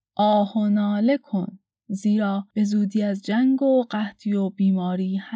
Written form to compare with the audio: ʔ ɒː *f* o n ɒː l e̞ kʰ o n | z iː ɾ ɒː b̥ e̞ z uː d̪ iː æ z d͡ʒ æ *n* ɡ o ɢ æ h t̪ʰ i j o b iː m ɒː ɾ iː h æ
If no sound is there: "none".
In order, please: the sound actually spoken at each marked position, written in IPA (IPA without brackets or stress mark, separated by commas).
h, ŋ